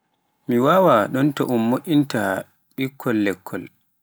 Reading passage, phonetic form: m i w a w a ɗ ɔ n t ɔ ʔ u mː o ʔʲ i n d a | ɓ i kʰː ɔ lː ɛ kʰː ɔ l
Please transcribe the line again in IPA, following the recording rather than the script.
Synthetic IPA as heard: m i w a w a ɗ ɔ n t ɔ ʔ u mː o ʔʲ i n t a | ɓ i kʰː ɔ lː ɛ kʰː ɔ l